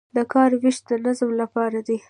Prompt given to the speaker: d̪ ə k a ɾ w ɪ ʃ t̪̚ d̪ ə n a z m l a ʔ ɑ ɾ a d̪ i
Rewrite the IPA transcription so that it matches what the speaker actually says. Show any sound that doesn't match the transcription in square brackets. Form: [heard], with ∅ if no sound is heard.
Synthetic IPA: d̪ ə k [ɑ] ɾ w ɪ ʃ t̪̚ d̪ ə n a z m l a [p] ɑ ɾ a d̪ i

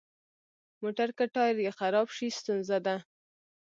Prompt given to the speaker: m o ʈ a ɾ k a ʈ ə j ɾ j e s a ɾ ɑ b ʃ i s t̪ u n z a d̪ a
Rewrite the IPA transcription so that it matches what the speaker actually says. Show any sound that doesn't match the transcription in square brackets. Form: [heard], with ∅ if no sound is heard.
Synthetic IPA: m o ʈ a ɾ k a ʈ [ɑ] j ɾ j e [x] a ɾ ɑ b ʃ i s t̪ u n z a d̪ a

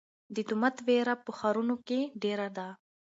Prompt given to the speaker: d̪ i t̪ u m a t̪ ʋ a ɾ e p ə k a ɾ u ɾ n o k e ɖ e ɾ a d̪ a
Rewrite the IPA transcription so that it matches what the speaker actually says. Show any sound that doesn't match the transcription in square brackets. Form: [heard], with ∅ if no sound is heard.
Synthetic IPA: d̪ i t̪ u m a t̪ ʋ [e] ɾ [a] p ə [x] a ɾ u [∅] n o k e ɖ e ɾ a d̪ a

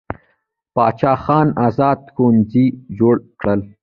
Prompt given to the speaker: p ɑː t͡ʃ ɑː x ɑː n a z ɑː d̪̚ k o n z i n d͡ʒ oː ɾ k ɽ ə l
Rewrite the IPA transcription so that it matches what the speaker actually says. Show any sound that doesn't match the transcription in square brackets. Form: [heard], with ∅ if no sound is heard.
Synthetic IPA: p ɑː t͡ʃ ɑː x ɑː n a z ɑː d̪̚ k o n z i [∅] d͡ʒ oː [ɽ] k ɽ ə l

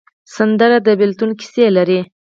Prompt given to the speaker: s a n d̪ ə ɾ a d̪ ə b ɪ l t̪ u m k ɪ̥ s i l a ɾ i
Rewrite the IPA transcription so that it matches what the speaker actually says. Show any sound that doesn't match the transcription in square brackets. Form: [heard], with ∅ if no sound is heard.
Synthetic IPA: s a n d̪ ə ɾ a d̪ ə b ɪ l t̪ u [n] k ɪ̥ s [e] l a ɾ i

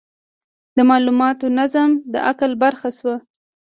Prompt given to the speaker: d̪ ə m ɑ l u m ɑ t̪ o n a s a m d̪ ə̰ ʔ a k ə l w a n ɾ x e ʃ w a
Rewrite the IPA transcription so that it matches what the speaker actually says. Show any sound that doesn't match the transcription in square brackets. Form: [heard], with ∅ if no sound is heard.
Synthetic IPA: d̪ ə m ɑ l u m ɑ t̪ o n a [z] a m d̪ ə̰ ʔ a k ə l [b] a [∅] ɾ x [a] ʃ w a

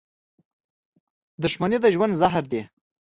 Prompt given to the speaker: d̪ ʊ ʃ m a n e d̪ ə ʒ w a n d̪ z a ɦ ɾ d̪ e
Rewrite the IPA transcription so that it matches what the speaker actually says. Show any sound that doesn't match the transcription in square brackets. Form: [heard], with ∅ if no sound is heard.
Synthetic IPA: d̪ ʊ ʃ m a n e d̪ ə ʒ w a n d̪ z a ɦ ɾ d̪ e

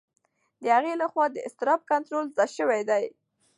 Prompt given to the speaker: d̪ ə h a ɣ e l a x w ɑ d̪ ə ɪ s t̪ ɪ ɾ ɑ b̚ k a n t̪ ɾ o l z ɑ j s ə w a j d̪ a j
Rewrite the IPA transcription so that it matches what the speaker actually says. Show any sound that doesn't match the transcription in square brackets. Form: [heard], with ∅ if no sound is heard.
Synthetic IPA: d̪ ə h a ɣ e l a x w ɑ d̪ ə ɪ s t̪ ɪ ɾ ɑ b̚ k a n t̪ ɾ o l z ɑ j [ʃ] ə w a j d̪ a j

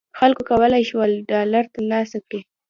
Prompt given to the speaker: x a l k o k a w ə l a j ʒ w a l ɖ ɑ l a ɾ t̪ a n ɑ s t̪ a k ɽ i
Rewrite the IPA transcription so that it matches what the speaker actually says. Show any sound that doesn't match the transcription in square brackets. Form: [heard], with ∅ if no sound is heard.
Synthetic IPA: x a l k o k a w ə l a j [ʃ] w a l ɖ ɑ l a ɾ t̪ a n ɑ s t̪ a k ɽ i

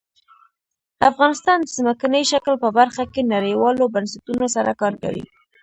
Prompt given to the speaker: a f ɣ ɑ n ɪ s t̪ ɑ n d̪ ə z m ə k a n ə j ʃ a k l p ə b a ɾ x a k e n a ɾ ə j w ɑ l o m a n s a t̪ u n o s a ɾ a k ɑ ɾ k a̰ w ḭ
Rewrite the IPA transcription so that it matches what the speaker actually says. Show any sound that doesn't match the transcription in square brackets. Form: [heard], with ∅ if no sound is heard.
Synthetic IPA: a f ɣ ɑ n ɪ s t̪ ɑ n d̪ ə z m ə k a n ə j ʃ a k l p ə b a ɾ x a k e n a ɾ ə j w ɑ l o [b] a n s a t̪ u n o s a ɾ a k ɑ ɾ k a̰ w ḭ

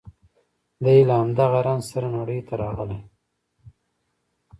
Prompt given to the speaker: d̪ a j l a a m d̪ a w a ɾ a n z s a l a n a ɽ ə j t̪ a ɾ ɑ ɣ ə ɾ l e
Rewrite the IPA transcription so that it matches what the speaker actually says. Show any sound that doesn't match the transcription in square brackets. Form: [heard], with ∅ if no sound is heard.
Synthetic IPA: d̪ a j l a a m d̪ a [ɣ] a ɾ a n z s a [ɾ] a n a ɽ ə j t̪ a ɾ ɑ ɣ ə [∅] l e

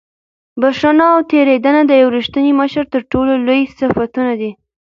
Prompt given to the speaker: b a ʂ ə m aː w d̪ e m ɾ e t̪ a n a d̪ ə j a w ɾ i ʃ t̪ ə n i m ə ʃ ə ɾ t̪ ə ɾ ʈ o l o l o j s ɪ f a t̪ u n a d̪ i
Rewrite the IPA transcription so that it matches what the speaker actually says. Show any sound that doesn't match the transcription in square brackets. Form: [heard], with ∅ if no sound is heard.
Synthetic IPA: b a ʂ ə [n] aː w [t̪] e [∅] ɾ e [d̪] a n a d̪ ə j a w ɾ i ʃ t̪ ə n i m ə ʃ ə ɾ t̪ ə ɾ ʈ o l o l o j s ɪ f a t̪ u n a d̪ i

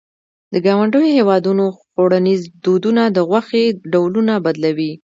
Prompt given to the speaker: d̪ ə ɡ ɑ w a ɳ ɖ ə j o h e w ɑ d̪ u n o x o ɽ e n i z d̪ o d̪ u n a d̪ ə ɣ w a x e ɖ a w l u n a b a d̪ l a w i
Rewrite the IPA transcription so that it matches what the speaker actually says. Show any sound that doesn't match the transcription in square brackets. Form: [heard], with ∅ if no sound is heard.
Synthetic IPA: d̪ ə ɡ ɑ w a ɳ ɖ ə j o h e w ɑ d̪ u n o x o ɽ [a] n i z d̪ o d̪ u n a d̪ ə ɣ w a x e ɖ a w l u n a b a d̪ l a w i

